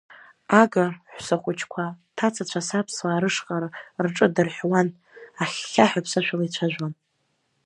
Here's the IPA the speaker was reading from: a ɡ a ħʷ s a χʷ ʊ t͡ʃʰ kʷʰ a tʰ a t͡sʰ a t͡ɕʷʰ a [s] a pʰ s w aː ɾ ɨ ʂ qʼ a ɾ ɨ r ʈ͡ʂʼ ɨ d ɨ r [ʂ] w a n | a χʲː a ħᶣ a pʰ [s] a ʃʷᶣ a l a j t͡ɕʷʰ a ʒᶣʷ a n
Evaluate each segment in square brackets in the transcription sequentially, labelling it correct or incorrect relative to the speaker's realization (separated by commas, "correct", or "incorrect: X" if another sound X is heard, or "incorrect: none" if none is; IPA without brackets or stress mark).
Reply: correct, incorrect: ħ, correct